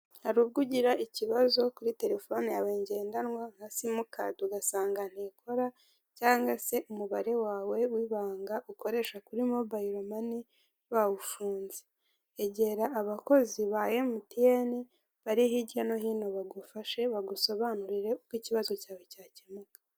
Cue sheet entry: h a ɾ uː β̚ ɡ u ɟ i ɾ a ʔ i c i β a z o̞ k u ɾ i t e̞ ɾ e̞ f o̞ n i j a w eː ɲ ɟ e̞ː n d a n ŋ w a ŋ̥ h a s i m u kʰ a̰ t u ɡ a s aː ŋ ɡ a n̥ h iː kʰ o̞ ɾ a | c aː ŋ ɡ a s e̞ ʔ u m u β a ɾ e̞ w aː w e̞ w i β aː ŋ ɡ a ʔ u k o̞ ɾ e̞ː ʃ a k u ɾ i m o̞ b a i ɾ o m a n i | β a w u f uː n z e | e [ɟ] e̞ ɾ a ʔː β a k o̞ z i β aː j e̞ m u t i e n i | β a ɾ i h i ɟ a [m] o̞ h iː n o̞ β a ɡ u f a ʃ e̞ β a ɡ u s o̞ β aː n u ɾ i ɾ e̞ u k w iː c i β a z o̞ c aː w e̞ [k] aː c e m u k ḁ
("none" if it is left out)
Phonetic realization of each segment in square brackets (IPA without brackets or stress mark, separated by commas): ɟ, n, c